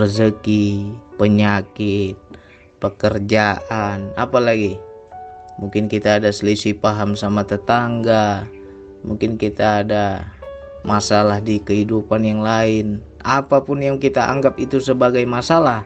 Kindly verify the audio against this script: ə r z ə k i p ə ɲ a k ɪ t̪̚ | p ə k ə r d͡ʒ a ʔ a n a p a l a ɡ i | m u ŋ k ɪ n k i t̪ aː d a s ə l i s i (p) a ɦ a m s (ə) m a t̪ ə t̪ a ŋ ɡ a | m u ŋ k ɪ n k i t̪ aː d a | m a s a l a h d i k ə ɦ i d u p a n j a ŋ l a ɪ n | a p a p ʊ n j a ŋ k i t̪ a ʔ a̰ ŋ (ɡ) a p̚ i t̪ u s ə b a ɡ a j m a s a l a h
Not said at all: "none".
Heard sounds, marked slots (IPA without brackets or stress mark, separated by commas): p, a, ɡ